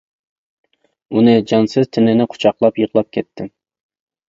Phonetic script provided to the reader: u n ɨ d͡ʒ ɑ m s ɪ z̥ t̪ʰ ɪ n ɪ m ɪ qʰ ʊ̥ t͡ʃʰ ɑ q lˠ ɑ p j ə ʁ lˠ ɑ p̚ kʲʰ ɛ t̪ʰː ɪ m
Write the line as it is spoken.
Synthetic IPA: u n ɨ d͡ʒ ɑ n s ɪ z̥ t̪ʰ ɪ n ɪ n ɪ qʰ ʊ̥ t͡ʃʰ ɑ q lˠ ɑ p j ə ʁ lˠ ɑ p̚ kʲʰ ɛ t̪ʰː ɪ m